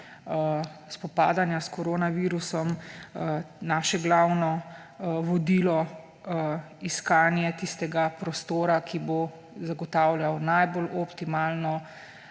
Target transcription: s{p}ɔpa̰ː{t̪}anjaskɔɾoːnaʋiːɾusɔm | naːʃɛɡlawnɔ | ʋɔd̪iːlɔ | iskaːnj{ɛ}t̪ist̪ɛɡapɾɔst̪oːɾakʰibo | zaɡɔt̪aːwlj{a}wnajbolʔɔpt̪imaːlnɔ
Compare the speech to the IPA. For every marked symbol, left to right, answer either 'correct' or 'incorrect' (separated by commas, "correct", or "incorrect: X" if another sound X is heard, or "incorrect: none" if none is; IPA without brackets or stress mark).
correct, incorrect: d̪, correct, correct